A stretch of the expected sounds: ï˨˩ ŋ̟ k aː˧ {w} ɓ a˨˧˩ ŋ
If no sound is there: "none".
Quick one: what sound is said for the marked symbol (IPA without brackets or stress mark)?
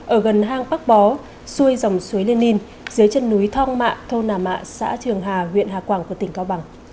w